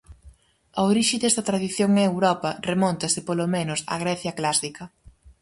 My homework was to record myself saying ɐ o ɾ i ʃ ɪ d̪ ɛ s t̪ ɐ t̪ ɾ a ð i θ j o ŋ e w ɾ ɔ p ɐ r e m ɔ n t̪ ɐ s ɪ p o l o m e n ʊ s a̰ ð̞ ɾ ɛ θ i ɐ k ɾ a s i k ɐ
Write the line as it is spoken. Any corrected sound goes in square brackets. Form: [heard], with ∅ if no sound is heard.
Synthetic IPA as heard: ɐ o ɾ i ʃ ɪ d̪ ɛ s t̪ ɐ t̪ ɾ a ð i θ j o ŋ e w ɾ ɔ p ɐ r e m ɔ n t̪ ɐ s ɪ p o l o m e n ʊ s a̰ [ɣ̞] ɾ ɛ θ [j] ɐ k [l] a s i k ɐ

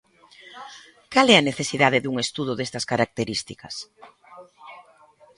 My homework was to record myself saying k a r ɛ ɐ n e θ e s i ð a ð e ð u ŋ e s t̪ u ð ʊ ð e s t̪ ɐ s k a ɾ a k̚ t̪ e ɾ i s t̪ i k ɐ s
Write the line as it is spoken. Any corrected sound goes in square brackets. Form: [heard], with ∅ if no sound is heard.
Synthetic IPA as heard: k a [l] ɛ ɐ n e θ e s i ð a ð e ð u ŋ e s t̪ u ð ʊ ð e s t̪ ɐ s k a ɾ a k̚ t̪ e ɾ i s t̪ i k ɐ s

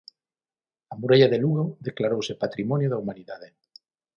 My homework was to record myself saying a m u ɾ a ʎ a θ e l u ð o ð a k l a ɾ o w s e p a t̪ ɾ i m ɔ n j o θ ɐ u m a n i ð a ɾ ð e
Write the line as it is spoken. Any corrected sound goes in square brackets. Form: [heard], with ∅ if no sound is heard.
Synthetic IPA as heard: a m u ɾ a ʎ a [ð] e l u [ɣ] o ð [e] k l a ɾ o w s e p a t̪ ɾ i m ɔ n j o [ð] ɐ u m a n i ð a [∅] ð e

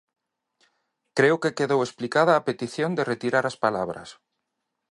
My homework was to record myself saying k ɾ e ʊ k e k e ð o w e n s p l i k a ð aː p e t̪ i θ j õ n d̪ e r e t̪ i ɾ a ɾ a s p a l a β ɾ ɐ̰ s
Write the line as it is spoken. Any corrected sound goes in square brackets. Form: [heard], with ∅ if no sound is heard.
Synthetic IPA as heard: k ɾ e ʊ k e k e ð o w e [∅] s p l i k a ð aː p e t̪ i θ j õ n d̪ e r e t̪ i ɾ a ɾ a s p a l a β ɾ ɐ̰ s

